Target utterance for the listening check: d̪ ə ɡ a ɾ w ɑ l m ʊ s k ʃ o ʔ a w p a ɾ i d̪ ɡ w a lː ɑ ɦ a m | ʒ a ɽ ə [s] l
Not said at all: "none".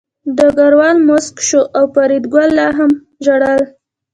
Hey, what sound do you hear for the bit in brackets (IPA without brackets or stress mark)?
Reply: none